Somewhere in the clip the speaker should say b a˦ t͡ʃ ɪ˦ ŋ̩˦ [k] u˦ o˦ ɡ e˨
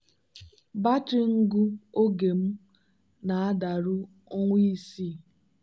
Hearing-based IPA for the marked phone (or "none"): ɡ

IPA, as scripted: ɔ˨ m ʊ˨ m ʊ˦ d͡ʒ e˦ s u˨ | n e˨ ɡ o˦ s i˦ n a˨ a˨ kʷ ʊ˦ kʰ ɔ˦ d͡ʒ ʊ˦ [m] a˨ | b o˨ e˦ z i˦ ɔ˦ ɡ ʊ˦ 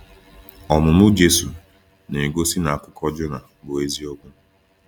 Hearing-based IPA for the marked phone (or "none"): n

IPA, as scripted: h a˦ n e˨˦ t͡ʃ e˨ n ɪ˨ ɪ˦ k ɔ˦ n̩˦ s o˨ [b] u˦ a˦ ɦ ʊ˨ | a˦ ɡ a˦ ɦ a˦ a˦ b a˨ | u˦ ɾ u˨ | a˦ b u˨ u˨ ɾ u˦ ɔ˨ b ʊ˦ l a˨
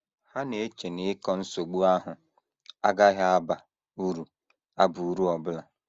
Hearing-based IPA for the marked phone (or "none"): ɡ͡b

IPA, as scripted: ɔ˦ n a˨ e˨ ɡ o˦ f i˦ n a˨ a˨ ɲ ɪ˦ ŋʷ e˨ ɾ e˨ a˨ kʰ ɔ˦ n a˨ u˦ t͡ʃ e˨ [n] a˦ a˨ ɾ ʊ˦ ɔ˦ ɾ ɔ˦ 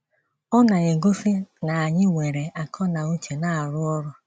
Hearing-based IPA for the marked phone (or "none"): n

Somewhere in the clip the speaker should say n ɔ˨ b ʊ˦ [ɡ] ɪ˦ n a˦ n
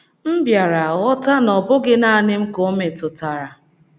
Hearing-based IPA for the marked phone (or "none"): ɡ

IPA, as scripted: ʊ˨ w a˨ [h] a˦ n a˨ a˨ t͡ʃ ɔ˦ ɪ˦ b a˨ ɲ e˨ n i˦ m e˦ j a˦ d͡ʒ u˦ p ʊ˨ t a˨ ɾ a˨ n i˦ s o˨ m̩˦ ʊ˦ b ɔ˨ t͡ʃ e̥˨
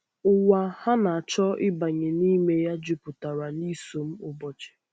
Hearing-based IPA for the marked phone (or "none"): h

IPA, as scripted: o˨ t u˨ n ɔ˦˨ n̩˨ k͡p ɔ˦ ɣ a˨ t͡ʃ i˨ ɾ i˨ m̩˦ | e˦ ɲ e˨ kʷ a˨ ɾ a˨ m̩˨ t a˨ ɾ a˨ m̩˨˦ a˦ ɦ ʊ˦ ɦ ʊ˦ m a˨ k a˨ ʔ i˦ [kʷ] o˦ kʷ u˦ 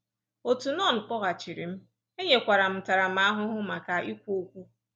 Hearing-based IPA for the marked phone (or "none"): kʷ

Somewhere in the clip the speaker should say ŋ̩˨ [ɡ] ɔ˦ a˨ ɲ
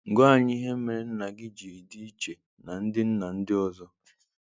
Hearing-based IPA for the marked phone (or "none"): ɡ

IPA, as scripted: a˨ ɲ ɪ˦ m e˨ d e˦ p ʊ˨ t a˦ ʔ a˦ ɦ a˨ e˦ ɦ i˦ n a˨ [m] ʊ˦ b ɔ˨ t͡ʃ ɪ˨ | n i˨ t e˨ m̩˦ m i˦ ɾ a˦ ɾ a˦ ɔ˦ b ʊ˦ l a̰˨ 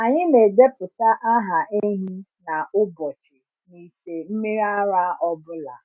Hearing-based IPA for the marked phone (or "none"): none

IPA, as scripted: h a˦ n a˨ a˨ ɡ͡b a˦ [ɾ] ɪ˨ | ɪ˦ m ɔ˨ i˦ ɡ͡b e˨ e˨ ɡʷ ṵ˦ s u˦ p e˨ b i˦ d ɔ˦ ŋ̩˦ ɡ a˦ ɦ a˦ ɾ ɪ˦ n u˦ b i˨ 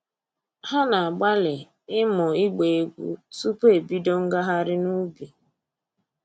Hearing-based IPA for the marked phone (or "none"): l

